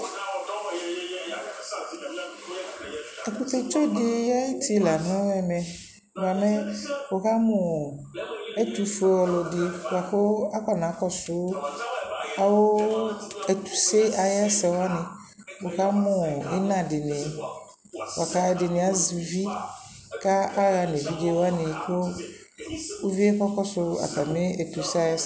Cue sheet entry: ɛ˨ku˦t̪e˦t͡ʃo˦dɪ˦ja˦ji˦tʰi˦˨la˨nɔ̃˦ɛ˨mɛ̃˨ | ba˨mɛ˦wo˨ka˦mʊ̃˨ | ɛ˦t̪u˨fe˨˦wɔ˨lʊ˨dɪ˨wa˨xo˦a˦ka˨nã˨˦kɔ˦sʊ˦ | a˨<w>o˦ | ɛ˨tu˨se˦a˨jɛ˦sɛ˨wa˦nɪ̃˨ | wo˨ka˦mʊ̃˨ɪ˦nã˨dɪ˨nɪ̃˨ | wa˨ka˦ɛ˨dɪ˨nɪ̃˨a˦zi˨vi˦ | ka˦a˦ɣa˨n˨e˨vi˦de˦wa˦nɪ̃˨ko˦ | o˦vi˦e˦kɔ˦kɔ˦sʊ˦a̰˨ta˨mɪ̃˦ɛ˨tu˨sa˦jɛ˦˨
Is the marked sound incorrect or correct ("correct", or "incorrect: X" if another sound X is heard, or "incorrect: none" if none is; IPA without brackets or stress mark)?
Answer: correct